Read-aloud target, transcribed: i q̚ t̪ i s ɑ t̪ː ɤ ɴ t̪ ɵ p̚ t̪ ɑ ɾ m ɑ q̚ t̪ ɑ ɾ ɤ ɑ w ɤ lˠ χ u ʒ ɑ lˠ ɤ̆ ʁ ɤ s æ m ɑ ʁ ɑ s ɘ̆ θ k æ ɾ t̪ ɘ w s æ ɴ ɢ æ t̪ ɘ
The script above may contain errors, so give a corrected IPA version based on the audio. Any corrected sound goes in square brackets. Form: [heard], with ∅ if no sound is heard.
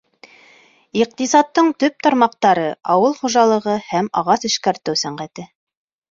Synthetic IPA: i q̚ t̪ i s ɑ t̪ː ɤ ɴ t̪ ɵ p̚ t̪ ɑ ɾ m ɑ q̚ t̪ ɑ ɾ ɤ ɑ w ɤ lˠ χ u ʒ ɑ lˠ ɤ̆ ʁ ɤ [h] æ m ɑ ʁ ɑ s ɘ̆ [ʃ] k æ ɾ t̪ ɘ w s æ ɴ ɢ æ t̪ ɘ

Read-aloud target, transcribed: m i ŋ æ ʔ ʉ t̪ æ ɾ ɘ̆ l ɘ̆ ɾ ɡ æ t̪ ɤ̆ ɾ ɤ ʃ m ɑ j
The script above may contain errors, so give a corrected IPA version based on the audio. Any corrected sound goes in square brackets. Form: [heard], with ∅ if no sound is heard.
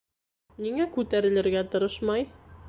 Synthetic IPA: [n] i ŋ æ [k] ʉ t̪ æ ɾ ɘ̆ l ɘ̆ ɾ ɡ æ t̪ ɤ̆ ɾ ɤ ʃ m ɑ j

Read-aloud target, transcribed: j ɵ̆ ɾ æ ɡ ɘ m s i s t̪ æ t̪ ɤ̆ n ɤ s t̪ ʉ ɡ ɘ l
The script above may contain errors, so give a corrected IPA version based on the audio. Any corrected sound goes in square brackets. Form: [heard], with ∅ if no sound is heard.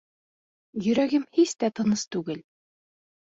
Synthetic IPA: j ɵ̆ ɾ æ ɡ ɘ m [h] i s t̪ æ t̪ ɤ̆ n ɤ s t̪ ʉ ɡ ɘ l

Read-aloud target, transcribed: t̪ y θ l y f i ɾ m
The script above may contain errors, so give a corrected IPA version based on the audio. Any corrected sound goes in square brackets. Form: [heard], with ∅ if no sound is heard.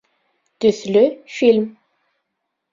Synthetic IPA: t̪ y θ l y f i [l] m

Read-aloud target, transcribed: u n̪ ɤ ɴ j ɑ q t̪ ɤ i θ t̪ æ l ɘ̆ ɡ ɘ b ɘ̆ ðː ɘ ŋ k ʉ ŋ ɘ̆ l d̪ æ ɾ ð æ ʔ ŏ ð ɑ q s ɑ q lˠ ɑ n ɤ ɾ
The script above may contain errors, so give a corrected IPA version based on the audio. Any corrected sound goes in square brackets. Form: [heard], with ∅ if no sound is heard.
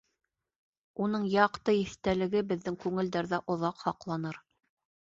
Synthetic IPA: u n̪ ɤ ɴ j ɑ q t̪ ɤ i θ t̪ æ l ɘ̆ ɡ ɘ b ɘ̆ ðː ɘ ŋ k ʉ ŋ ɘ̆ l d̪ æ ɾ ð æ ʔ ŏ ð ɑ q [h] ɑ q lˠ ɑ n ɤ ɾ

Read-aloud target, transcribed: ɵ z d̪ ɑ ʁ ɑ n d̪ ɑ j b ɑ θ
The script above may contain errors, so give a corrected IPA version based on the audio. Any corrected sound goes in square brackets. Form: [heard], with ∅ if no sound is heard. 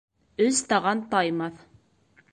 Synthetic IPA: ɵ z [t̪] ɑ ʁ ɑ n [t̪] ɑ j [m] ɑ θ

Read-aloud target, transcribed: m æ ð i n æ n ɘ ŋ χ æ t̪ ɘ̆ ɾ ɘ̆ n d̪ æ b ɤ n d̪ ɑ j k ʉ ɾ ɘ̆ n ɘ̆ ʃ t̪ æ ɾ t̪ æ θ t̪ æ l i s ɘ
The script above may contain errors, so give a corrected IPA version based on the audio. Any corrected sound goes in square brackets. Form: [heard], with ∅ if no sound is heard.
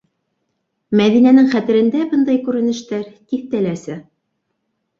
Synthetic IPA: m æ ð i n æ n ɘ ŋ χ æ t̪ ɘ̆ ɾ ɘ̆ n d̪ æ b ɤ n d̪ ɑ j k ʉ ɾ ɘ̆ n ɘ̆ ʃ t̪ æ ɾ t̪ [i] θ t̪ æ l [æ] s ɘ

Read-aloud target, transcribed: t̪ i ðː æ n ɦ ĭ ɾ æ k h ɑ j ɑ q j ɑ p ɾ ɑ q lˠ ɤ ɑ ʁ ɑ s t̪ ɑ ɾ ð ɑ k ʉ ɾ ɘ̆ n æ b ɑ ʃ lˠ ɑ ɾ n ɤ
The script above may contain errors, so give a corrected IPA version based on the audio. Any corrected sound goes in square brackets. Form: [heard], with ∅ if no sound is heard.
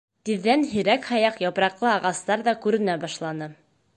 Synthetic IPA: t̪ i ðː æ n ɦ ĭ ɾ æ k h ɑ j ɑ q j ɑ p ɾ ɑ q lˠ ɤ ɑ ʁ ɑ s t̪ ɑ ɾ ð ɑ k ʉ ɾ ɘ̆ n æ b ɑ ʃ lˠ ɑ [∅] n ɤ

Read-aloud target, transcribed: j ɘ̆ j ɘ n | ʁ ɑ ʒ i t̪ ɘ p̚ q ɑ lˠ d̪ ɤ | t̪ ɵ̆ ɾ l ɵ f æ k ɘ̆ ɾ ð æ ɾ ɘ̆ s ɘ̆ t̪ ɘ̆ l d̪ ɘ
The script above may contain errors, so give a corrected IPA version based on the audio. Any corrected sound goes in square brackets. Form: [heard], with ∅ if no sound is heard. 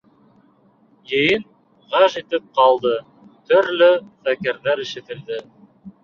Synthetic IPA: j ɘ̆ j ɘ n | ʁ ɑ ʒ i t̪ ɘ p̚ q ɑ lˠ d̪ ɤ | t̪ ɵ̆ ɾ l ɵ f æ k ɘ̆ ɾ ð æ ɾ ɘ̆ [ʃ] ɘ̆ t̪ ɘ̆ l d̪ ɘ

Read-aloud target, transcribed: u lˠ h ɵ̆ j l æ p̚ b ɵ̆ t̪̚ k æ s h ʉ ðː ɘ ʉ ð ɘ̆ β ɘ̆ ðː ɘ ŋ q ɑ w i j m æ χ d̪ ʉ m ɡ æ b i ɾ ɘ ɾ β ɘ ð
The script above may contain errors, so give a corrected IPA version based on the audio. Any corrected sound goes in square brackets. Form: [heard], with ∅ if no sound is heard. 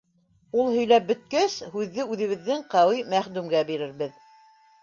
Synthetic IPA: u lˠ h ɵ̆ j l æ p̚ b ɵ̆ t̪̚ k æ s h ʉ ðː ɘ ʉ ð ɘ̆ β ɘ̆ ðː ɘ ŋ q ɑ w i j m æ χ d̪ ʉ m ɡ æ b i ɾ ɘ ɾ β ɘ ð

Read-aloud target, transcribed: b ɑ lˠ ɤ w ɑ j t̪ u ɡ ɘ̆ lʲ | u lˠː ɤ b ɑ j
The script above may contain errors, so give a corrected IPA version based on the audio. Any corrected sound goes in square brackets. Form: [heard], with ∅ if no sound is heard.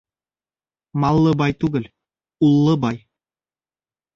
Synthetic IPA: [m] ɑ [lˠː] ɤ [b] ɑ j t̪ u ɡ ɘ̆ lʲ | u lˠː ɤ b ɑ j

